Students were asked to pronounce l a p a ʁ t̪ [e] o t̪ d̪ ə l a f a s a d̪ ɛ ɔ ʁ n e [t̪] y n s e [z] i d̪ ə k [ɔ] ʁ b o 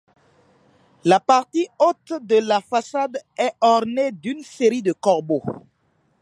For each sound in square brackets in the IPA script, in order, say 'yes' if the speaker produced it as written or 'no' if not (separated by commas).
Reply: no, no, no, yes